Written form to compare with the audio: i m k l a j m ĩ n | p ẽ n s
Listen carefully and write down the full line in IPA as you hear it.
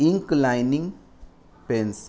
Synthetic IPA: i ŋ k l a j n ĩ ŋ | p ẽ n s

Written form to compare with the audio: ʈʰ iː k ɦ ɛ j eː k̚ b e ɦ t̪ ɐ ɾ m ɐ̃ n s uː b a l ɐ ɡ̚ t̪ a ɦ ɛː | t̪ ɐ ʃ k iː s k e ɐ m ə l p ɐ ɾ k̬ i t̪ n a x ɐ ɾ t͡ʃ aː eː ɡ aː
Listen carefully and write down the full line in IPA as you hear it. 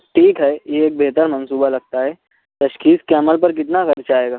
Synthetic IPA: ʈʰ iː k ɦ ɛ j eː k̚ b e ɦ t̪ ə ɾ m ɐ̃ n s uː b a l ɐ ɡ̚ t̪ a ɦ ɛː | t̪ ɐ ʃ k iː s k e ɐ m ə l p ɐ ɾ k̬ ɪ t̪ n a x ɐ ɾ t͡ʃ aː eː ɡ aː

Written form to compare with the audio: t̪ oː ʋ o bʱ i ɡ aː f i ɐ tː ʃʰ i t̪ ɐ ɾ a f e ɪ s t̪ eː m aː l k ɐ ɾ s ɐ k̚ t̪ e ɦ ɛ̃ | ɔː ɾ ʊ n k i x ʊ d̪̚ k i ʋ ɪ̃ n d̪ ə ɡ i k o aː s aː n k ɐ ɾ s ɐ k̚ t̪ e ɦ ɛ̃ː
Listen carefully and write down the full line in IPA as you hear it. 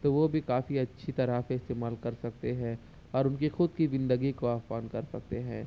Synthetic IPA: t̪ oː ʋ o bʱ i k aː f i ɐ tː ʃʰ i t̪ ɐ ɾ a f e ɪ s t̪ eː m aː l k ɐ ɾ s ɐ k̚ t̪ e ɦ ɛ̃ | ɔː ɾ ʊ n k i x ʊ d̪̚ k i ʋ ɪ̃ n d̪ ə ɡ i k o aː f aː n k ɐ ɾ s ɐ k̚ t̪ e ɦ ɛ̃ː

